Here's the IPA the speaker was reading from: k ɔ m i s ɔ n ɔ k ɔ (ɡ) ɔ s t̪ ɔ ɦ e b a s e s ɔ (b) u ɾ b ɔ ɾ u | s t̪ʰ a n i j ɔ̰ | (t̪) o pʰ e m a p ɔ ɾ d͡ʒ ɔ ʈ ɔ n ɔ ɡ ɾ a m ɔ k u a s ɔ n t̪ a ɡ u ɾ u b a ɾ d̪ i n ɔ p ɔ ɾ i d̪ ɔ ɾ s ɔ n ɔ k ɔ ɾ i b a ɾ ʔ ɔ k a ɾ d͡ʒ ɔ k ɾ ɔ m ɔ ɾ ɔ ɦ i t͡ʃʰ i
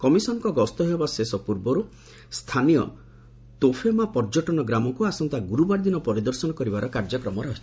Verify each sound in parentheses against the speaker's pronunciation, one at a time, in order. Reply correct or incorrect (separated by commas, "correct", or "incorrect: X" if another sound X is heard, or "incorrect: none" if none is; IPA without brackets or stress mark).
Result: correct, incorrect: p, correct